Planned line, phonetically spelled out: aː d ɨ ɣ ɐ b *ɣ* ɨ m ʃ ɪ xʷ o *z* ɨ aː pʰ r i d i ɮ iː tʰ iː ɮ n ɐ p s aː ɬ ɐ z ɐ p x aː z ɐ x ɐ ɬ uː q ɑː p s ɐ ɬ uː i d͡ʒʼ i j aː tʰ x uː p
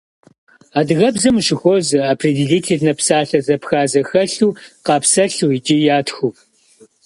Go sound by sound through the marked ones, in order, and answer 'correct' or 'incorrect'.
incorrect, correct

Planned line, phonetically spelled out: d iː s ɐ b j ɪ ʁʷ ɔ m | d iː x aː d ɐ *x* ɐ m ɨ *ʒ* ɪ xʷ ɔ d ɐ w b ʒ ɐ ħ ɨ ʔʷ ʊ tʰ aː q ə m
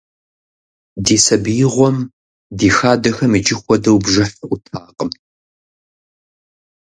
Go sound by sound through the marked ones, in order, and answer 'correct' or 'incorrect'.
correct, incorrect

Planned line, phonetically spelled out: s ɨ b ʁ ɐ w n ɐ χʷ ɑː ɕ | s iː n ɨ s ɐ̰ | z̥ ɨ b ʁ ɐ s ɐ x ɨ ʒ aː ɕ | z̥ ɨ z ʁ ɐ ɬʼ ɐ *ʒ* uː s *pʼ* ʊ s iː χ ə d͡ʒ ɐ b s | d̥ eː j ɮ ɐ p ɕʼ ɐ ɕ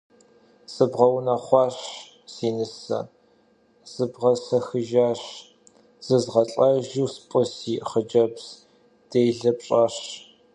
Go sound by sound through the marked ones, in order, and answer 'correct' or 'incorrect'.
correct, correct

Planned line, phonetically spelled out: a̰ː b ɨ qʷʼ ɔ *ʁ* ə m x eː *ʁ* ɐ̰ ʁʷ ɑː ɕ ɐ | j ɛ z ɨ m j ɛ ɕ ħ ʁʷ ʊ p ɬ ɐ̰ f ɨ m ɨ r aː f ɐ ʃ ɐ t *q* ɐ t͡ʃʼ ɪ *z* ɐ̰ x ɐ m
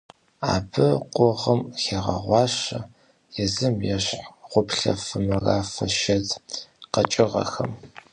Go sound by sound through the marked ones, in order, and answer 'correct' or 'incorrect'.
correct, correct, correct, incorrect

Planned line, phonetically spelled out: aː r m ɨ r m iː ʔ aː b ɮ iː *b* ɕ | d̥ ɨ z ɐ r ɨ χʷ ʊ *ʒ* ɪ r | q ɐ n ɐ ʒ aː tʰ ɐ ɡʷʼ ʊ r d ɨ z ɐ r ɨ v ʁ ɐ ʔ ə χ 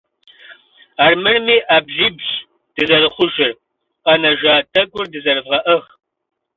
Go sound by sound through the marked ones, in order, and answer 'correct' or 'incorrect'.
correct, correct

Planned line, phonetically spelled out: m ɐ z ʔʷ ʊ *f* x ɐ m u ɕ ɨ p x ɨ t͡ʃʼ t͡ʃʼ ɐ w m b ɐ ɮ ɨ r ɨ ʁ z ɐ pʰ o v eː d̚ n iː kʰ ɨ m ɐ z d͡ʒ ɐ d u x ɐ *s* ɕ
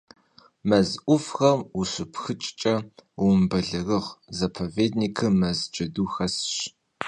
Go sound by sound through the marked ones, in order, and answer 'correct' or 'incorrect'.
correct, correct

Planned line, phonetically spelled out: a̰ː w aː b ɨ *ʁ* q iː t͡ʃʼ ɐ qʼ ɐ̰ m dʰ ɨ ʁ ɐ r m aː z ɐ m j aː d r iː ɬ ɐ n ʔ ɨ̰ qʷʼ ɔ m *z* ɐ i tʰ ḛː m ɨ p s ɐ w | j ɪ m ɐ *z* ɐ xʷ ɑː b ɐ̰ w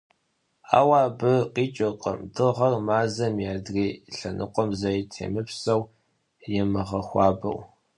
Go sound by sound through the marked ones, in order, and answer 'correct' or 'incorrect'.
incorrect, correct, incorrect

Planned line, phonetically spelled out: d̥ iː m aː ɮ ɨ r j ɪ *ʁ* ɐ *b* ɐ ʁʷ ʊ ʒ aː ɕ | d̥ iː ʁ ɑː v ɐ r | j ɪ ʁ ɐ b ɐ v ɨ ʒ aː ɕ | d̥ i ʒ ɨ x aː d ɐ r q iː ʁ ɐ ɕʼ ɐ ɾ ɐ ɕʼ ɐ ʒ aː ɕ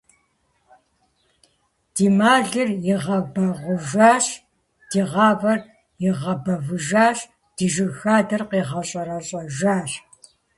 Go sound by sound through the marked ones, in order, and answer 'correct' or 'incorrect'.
correct, correct

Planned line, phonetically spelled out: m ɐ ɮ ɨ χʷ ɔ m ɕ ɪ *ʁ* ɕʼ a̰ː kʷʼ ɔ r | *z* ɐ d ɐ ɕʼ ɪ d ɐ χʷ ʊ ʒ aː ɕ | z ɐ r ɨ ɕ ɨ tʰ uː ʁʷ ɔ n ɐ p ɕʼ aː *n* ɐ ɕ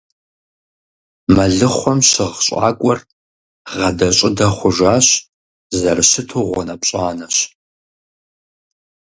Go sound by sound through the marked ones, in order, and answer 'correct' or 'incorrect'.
correct, incorrect, correct

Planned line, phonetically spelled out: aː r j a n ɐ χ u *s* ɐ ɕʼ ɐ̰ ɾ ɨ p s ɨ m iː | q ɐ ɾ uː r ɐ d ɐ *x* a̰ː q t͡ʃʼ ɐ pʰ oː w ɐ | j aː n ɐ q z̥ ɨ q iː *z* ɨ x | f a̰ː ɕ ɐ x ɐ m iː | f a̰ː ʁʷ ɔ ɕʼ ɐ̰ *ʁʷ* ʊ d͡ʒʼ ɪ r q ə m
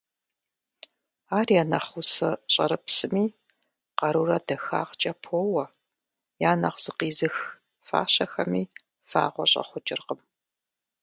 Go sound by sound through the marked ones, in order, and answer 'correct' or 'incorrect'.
correct, correct, correct, incorrect

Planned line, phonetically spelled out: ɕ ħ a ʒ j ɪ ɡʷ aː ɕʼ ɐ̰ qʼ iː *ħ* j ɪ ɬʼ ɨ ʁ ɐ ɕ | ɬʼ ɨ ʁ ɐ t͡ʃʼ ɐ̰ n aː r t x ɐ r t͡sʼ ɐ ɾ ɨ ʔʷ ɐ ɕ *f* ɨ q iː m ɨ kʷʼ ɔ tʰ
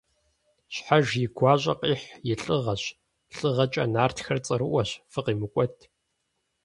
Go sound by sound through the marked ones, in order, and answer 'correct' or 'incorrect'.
correct, correct

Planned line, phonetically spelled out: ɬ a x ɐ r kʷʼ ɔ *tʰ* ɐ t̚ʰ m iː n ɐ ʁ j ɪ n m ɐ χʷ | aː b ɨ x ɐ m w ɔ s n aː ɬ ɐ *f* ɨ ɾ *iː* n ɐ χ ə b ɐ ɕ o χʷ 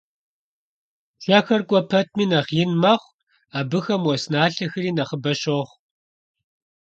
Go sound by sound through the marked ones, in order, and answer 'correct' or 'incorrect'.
incorrect, incorrect, correct

